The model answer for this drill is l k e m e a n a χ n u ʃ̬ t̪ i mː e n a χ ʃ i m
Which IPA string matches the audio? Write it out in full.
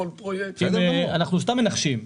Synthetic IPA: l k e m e a n a χ n u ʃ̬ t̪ a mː e n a χ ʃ i m